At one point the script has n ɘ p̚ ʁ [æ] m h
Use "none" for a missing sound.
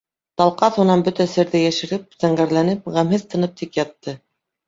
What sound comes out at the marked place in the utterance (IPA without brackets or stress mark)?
æ